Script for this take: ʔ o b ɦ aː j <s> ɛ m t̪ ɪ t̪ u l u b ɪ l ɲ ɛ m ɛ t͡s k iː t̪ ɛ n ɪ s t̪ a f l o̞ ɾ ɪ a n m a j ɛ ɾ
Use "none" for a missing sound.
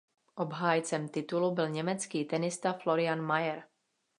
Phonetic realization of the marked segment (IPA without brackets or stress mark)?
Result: t͡s